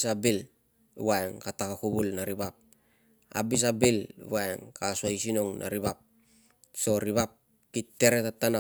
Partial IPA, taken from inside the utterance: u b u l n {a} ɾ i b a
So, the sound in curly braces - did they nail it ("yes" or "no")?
yes